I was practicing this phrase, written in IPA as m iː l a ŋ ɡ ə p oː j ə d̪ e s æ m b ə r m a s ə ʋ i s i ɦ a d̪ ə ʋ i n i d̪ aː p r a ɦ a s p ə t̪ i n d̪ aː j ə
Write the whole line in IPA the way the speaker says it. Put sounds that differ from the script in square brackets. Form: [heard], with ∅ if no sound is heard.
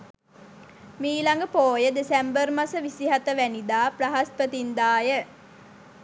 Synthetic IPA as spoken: m iː l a ŋ ɡ ə p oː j ə d̪ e s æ m b ə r m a s ə ʋ i s i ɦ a [t̪] ə ʋ [æ] n i d̪ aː p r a ɦ a s p ə t̪ i n d̪ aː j ə